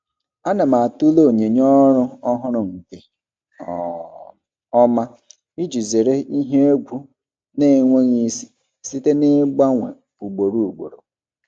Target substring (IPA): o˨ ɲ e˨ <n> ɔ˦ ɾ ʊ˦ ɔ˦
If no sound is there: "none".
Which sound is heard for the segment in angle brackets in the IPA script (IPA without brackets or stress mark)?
ɲ